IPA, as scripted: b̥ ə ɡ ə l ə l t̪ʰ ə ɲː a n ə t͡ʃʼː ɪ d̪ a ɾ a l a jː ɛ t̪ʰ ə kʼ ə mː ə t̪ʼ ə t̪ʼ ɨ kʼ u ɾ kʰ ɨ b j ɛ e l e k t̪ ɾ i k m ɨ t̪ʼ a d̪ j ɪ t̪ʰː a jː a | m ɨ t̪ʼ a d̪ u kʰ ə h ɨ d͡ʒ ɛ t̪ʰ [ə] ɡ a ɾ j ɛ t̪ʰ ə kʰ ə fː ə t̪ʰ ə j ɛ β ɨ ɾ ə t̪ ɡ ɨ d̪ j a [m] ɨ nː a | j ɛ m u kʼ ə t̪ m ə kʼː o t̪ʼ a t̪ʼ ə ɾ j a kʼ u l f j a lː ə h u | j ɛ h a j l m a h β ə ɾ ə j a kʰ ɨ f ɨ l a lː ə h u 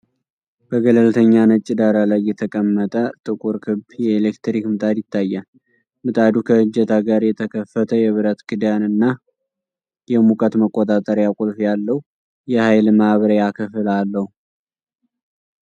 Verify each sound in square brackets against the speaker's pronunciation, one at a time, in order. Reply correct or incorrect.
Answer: incorrect, incorrect

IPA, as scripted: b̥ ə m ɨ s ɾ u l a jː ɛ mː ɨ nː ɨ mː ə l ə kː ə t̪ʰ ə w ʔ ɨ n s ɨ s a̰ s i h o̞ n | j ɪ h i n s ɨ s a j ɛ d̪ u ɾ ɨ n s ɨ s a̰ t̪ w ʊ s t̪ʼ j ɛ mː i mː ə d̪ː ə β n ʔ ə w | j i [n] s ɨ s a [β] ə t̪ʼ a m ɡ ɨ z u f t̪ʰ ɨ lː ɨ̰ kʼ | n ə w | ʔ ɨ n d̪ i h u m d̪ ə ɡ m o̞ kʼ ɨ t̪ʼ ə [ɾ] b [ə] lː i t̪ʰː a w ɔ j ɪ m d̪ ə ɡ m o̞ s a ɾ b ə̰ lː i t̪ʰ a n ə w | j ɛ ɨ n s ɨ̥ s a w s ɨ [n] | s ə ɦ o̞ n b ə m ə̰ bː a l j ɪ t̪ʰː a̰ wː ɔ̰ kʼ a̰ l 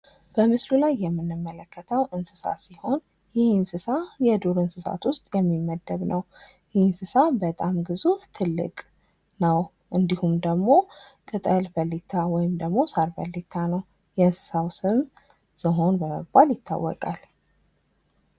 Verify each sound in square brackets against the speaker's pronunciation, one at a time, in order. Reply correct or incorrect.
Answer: correct, incorrect, incorrect, correct, incorrect

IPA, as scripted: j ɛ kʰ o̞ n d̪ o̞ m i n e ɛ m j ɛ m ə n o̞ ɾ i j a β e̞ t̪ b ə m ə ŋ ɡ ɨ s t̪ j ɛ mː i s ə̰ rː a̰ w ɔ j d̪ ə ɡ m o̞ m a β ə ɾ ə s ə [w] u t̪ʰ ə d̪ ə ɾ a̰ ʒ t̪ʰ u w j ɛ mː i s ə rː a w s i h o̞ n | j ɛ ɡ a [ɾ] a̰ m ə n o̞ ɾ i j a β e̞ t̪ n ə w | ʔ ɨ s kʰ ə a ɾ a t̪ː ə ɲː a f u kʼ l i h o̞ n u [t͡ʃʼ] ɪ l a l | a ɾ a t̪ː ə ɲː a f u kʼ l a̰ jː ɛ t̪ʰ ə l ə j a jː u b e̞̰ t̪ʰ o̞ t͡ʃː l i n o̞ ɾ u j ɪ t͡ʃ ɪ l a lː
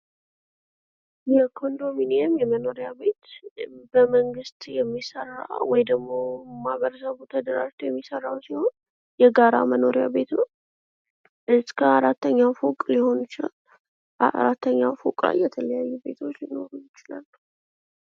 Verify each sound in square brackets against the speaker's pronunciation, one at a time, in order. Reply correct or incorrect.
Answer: incorrect, correct, incorrect

